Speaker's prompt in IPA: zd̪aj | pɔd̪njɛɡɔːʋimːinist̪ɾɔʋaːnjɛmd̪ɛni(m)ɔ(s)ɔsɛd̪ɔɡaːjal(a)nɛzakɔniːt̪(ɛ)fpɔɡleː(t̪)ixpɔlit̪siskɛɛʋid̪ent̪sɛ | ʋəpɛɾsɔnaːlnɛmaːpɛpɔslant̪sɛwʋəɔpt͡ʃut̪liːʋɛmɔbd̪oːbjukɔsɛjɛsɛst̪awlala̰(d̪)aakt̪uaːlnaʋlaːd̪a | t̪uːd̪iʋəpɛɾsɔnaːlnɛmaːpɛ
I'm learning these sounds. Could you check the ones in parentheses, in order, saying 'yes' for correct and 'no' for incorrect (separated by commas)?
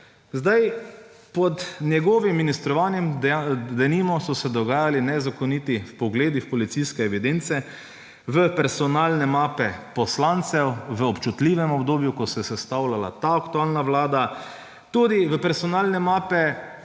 yes, yes, no, no, no, no